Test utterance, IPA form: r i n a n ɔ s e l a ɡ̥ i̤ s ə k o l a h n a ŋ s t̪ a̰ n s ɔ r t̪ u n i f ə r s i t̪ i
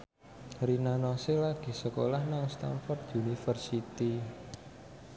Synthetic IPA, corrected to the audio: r i n a n ɔ s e l a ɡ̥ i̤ s ə k o l a h n a ŋ s t̪ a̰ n f ɔ r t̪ u n i f ə r s i t̪ i